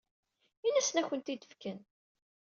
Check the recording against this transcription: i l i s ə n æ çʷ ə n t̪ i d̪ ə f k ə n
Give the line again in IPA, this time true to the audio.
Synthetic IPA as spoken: i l æ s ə n æ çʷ ə n t̪ i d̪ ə f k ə n